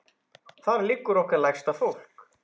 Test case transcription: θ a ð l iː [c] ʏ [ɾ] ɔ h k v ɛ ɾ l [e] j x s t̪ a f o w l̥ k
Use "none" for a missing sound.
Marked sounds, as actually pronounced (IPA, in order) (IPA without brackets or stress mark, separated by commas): k, ɾ, a